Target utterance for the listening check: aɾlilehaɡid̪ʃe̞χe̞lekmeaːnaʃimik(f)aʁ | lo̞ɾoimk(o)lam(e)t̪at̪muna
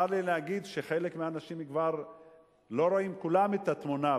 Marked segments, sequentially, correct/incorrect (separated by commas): incorrect, incorrect, correct